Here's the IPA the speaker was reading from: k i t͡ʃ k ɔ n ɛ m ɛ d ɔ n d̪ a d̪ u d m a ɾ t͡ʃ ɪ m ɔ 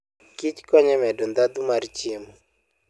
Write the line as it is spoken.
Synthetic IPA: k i t͡ʃ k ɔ ɲ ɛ m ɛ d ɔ n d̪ a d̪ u m a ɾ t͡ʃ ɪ m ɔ